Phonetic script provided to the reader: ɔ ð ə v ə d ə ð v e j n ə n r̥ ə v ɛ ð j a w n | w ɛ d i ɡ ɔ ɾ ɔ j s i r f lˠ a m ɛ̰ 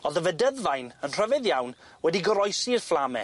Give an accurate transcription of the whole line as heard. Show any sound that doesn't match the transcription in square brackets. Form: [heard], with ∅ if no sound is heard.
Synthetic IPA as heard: ɔ ð ə v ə d ə ð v [a] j n ə n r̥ ə v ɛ ð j a w n | w ɛ d i ɡ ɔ ɾ ɔ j s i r f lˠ a m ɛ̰